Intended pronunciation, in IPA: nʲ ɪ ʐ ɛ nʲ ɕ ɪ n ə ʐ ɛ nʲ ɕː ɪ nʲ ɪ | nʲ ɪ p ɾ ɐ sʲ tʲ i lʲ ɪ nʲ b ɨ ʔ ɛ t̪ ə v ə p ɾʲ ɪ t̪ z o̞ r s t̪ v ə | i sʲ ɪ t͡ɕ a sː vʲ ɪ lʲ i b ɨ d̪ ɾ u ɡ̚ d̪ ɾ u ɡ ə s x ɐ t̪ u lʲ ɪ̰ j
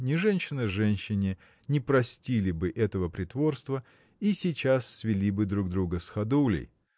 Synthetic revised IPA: nʲ ɪ ʐ ɛ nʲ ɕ ɪ n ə ʐ ɛ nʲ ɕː ɪ nʲ ɪ | nʲ ɪ p ɾ ɐ sʲ tʲ i lʲ ɪ b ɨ ʔ ɛ t̪ ə v ə p ɾʲ ɪ t̪ v o̞ r s t̪ v ə | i sʲ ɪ t͡ɕ a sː vʲ ɪ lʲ i b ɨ d̪ ɾ u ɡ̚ d̪ ɾ u ɡ ə s x ɐ d̪ u lʲ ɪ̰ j

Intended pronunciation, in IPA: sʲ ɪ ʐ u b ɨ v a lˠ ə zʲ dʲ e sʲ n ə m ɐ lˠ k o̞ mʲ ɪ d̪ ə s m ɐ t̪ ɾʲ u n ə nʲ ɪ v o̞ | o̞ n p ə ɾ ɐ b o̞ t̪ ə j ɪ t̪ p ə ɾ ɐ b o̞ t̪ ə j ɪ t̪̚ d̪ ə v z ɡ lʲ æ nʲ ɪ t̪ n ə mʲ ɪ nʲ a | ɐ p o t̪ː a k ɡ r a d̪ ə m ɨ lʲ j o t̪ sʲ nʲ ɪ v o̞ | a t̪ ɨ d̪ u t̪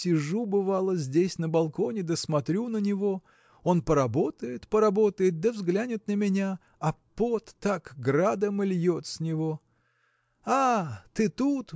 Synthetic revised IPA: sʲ ɪ ʐ u b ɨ v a lˠ ə zʲ dʲ e sʲ n ə b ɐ lˠ k o̞ nʲ ɪ d̪ ə s m ɐ t̪ ɾʲ u n ə nʲ ɪ v o̞ | o̞ n p ə ɾ ɐ b o̞ t̪ ə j ɪ t̪ p ə ɾ ɐ b o̞ t̪ ə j ɪ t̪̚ d̪ ə v z ɡ lʲ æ nʲ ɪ t̪ n ə mʲ ɪ nʲ a | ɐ p o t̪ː a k ɡ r a d̪ ə m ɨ lʲ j o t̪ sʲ nʲ ɪ v o̞ | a t̪ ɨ t̪ u t̪

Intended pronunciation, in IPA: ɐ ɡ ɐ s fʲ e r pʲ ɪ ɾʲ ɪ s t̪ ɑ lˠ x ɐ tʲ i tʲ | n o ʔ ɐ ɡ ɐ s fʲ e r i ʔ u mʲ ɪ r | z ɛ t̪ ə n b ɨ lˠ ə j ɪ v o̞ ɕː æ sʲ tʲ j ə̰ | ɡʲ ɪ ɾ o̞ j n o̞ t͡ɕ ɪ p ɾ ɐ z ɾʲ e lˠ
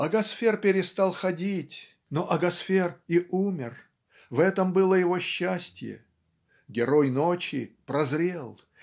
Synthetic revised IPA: ɐ ɡ ɐ s fʲ e r pʲ ɪ ɾʲ ɪ s t̪ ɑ lˠ x ɐ dʲ i tʲ | n o ʔ ɐ ɡ ɐ s fʲ e r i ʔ u mʲ ɪ r | v ɛ t̪ ə m b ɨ lˠ ə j ɪ v o̞ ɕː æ sʲ tʲ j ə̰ | ɡʲ ɪ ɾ o̞ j n o̞ t͡ɕ ɪ p ɾ ɐ z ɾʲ e lˠ

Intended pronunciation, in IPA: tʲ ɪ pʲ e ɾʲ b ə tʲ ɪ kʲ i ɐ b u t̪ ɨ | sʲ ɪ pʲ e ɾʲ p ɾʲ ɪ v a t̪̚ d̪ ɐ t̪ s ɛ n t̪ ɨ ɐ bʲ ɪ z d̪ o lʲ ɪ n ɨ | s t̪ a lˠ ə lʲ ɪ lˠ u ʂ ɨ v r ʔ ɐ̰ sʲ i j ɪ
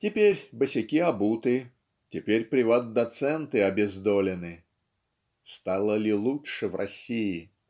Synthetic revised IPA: tʲ ɪ pʲ e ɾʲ b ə sʲ ɪ kʲ i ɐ b u t̪ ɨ | tʲ ɪ pʲ e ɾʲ p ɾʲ ɪ v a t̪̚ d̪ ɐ t̪ s ɛ n t̪ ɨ ɐ bʲ ɪ z d̪ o lʲ ɪ n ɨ | s t̪ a lˠ ə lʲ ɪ lˠ u ʂ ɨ v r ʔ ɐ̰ sʲ i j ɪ

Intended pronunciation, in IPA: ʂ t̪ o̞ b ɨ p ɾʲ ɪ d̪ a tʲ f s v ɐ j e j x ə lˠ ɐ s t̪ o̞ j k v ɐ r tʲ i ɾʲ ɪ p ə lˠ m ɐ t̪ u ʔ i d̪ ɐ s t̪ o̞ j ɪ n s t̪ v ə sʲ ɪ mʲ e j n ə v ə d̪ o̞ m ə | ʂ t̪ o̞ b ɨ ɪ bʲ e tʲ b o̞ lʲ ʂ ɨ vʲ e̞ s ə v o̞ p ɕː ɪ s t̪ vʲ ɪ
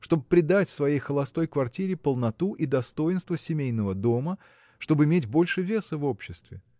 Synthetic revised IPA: ʂ t̪ o̞ b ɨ p ɾʲ ɪ d̪ a tʲ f s v ɐ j e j x ə lˠ ɐ s t̪ o̞ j k v ɐ r tʲ i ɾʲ ɪ p ə lˠ n ɐ t̪ u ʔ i d̪ ɐ s t̪ o̞ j ɪ n s t̪ v ə sʲ ɪ mʲ e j n ə v ə d̪ o̞ m ə | ʂ t̪ o̞ b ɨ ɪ mʲ e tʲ b o̞ lʲ ʂ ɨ vʲ e̞ s ə v o̞ p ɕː ɪ s t̪ vʲ ɪ

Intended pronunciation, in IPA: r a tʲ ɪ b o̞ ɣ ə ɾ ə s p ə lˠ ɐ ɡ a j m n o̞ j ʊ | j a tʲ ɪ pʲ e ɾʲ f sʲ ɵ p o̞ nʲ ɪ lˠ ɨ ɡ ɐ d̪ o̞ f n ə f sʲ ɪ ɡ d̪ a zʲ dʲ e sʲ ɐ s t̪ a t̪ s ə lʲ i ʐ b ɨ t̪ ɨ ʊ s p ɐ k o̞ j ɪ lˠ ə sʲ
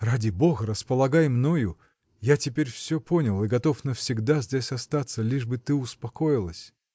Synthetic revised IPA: r a dʲ ɪ b o̞ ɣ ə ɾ ə s p ə lˠ ɐ ɡ a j m n o̞ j ʊ | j a tʲ ɪ pʲ e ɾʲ f sʲ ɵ p o̞ nʲ ɪ lˠ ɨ ɡ ɐ t̪ o̞ f n ə f sʲ ɪ ɡ d̪ a zʲ dʲ e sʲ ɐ s t̪ a t̪ s ə lʲ i ʐ b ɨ t̪ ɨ ʊ s p ɐ k o̞ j ɪ lˠ ə sʲ

